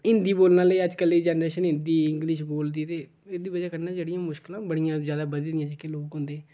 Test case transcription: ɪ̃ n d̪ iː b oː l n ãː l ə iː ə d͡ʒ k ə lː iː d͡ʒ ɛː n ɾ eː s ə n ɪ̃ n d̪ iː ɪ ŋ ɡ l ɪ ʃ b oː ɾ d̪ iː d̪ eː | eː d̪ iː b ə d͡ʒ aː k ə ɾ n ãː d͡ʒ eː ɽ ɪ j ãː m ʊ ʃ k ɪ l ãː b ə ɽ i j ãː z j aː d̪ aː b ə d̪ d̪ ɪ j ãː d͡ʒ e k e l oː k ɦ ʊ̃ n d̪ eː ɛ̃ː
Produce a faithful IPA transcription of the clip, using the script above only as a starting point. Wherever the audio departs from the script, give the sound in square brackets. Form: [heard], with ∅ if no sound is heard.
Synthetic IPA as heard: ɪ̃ n d̪ iː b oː l n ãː l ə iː ə d͡ʒ k ə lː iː d͡ʒ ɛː n ɾ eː [ʃ] ə n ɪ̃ n d̪ iː ɪ ŋ ɡ l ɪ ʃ b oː [l] d̪ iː [t̪] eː | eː d̪ iː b ə d͡ʒ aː k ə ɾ n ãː d͡ʒ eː ɽ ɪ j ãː m ʊ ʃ k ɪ l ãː b ə ɽ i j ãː z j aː d̪ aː b ə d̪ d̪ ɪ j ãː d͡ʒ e k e l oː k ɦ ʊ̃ n d̪ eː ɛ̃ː

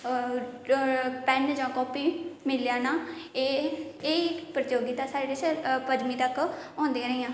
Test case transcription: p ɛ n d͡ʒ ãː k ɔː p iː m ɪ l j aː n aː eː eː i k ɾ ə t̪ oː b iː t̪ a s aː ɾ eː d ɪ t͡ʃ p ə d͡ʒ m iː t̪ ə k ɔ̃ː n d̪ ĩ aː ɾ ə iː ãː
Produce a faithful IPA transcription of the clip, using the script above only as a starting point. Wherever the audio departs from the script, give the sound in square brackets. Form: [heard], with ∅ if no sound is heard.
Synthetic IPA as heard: p ɛ n d͡ʒ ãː k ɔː p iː m ɪ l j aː n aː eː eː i [p] ɾ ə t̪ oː [ɡ] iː t̪ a s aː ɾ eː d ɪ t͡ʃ p ə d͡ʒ m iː t̪ ə k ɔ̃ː n d̪ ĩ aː ɾ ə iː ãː

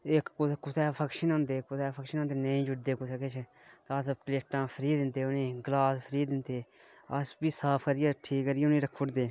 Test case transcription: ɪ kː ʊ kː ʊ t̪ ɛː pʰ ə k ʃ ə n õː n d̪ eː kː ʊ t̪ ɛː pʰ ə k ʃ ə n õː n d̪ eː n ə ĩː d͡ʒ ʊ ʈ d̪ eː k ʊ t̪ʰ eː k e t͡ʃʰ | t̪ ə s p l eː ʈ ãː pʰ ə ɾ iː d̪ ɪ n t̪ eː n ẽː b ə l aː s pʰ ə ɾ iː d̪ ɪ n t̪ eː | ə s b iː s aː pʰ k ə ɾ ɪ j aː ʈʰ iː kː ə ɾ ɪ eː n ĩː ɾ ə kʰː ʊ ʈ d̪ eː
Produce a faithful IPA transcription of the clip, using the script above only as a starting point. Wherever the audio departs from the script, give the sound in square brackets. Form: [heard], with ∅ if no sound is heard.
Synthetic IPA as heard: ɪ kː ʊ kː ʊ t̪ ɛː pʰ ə k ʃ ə n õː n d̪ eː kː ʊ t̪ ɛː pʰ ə k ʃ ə n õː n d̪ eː n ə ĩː d͡ʒ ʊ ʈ d̪ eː k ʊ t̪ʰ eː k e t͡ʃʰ | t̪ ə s p l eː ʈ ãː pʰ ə ɾ iː d̪ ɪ n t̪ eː n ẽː [ɡ] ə l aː s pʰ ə ɾ iː d̪ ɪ n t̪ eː | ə s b iː s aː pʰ k ə ɾ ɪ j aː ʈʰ iː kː ə ɾ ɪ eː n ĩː ɾ ə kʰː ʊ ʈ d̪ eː

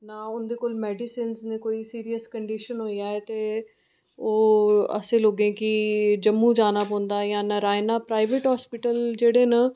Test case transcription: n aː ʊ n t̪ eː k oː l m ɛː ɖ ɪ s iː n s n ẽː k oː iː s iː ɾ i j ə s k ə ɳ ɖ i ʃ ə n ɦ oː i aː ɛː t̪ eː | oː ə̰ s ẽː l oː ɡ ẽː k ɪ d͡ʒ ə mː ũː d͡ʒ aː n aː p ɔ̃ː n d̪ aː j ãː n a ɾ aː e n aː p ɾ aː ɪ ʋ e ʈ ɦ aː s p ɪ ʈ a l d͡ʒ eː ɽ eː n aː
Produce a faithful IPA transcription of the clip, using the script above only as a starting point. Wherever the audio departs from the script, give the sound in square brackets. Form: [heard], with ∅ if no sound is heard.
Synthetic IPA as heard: n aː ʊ n [d̪] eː k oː l m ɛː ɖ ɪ s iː n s n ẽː k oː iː s iː ɾ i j ə s k ə ɳ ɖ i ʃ ə n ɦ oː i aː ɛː t̪ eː | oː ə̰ s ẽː l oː ɡ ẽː k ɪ d͡ʒ ə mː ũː d͡ʒ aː n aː p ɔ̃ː n d̪ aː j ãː n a ɾ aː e n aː p ɾ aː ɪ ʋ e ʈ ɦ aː s p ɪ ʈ [ə] l d͡ʒ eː ɽ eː n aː

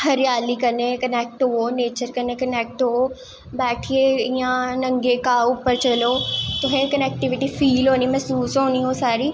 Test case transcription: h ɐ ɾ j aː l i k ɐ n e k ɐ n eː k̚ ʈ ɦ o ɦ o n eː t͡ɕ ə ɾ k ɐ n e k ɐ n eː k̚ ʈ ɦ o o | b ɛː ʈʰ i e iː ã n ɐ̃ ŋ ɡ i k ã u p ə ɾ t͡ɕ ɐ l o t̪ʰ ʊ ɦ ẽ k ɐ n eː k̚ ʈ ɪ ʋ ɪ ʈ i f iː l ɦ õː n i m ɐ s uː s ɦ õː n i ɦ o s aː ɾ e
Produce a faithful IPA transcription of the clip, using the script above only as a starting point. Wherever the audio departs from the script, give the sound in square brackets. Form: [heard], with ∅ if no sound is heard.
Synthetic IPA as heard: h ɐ ɾ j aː l i k ɐ n e k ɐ n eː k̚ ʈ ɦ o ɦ o n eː t͡ɕ ə ɾ k ɐ n e k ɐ n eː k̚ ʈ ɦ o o | b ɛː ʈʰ i e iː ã n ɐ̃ ŋ ɡ [e] k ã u p ə ɾ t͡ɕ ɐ l o [t̪] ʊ ɦ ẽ k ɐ n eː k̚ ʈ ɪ ʋ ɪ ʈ i f iː l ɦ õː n i m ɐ s uː s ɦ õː n i ɦ o s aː ɾ [i]

